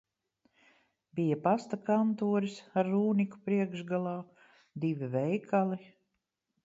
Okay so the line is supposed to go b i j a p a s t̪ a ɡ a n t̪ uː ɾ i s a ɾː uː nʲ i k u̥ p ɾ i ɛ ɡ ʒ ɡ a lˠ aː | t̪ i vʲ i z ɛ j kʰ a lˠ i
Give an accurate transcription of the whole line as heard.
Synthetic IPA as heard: b i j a p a s t̪ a k a n t̪ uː ɾ i s a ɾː uː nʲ i k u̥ p ɾ i ɛ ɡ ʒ ɡ a lˠ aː | d̪ i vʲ i v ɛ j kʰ a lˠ i